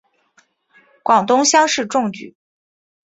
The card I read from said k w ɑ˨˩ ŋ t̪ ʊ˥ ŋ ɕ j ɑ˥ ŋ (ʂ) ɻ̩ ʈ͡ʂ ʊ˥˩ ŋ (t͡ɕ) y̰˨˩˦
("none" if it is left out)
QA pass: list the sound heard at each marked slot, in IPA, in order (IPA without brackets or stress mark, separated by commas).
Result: ʂ, t͡ɕ